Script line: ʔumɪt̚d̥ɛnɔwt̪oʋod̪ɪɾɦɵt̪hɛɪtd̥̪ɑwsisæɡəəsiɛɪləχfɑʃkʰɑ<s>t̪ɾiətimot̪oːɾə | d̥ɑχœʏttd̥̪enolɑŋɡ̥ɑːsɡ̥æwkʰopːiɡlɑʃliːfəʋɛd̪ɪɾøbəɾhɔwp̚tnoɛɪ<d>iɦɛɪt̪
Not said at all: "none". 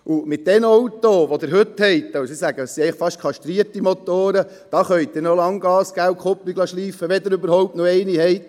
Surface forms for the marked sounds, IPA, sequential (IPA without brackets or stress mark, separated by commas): ʃ, n